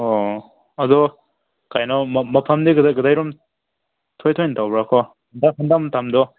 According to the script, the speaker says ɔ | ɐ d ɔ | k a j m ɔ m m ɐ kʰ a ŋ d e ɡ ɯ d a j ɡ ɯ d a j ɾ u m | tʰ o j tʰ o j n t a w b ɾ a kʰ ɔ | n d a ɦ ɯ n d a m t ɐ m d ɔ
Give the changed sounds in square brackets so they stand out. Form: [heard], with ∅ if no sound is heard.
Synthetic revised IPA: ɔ | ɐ d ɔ | k a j [n] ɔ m m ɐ [pʰ] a [m] d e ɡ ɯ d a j ɡ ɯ d a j ɾ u m | tʰ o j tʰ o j n t a w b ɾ a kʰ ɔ | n d a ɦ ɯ n d a m t [a] m d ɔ